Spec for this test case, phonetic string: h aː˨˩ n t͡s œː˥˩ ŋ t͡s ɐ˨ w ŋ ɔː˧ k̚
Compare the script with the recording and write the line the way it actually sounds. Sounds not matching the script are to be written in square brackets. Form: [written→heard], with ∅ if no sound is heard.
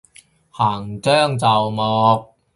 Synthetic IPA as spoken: h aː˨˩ [n→ŋ] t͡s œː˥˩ ŋ t͡s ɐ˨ w [ŋ→m] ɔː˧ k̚